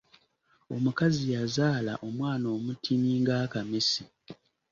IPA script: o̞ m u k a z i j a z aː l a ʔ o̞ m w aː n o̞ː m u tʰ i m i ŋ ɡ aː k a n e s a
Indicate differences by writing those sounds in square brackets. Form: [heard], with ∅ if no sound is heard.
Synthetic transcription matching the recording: o̞ m u k a z i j a z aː l a ʔ o̞ m w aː n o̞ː m u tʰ i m i ŋ ɡ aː k a [m] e s [i]